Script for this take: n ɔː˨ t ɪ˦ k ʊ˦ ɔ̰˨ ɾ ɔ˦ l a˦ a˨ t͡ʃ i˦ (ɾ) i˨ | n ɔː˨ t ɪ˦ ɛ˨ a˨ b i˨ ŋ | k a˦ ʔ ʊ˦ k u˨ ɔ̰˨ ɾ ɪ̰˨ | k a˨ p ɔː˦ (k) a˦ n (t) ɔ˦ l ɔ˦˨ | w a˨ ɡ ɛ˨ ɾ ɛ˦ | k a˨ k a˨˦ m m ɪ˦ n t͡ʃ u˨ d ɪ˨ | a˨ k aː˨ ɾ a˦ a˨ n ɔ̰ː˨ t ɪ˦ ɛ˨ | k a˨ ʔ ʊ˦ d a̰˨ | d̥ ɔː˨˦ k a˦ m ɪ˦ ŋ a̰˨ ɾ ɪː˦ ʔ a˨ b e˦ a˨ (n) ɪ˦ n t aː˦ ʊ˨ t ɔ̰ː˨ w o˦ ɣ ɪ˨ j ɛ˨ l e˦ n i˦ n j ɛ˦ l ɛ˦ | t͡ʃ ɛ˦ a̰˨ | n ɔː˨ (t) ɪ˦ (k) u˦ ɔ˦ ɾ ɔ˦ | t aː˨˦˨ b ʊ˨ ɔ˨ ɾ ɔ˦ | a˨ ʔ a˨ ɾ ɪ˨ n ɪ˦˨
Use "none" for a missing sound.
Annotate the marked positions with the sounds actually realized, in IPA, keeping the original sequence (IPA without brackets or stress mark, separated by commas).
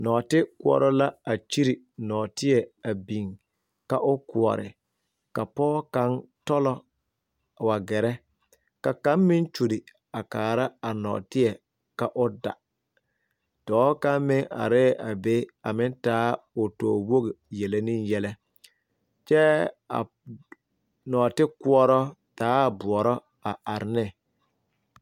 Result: ɾ, k, t, m, t, k